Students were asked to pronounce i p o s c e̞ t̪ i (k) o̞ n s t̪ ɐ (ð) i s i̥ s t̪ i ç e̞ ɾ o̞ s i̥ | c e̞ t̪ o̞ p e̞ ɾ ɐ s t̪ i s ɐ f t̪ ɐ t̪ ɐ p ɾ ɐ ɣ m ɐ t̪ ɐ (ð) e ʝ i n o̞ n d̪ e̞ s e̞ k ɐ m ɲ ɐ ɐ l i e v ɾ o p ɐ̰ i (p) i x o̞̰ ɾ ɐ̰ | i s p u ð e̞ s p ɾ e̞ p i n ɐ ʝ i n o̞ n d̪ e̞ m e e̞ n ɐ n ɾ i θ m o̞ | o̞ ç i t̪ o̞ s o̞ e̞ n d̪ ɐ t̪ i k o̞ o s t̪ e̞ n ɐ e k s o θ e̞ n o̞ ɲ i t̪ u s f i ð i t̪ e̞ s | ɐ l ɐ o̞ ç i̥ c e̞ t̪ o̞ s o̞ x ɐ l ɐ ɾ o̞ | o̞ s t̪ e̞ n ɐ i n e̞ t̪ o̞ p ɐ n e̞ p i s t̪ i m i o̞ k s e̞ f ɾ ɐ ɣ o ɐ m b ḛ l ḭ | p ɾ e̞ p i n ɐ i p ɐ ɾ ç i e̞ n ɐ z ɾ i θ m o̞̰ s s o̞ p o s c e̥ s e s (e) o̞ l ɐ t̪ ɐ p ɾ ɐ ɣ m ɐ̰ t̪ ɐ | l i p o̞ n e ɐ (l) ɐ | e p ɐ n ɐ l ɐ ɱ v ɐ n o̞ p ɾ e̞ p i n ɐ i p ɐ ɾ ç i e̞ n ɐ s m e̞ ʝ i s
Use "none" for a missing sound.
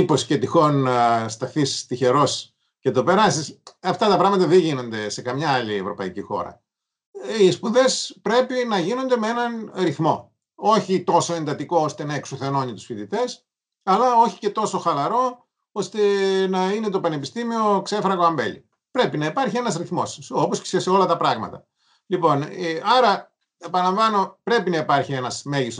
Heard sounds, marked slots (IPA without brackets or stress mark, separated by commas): x, θ, ð, c, e, ɾ